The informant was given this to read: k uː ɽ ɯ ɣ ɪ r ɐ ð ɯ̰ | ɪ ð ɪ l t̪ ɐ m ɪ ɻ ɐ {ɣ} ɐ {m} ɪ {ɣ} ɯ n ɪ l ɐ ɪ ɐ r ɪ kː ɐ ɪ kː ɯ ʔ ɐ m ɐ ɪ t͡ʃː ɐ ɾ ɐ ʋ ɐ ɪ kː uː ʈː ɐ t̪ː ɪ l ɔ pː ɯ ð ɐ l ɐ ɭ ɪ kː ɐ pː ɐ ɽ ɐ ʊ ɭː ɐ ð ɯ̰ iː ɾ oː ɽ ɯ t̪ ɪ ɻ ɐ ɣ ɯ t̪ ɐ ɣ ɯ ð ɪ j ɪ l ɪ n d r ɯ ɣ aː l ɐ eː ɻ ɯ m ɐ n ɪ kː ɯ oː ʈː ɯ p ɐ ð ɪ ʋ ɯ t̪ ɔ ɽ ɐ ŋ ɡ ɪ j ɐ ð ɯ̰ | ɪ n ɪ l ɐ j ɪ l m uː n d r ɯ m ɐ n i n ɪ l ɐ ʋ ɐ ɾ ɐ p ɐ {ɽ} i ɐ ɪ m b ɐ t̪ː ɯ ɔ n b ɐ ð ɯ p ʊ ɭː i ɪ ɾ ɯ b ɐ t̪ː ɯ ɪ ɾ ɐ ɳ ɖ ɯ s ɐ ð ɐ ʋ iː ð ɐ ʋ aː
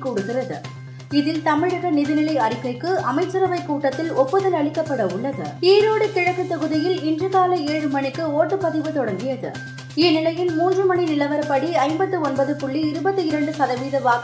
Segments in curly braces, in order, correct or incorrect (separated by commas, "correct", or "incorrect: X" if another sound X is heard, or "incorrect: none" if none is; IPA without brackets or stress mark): correct, incorrect: n, incorrect: ð, correct